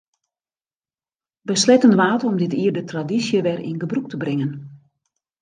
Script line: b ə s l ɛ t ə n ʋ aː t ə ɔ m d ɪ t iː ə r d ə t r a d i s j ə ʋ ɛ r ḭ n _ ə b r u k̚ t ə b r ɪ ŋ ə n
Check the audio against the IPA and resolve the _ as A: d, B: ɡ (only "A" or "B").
B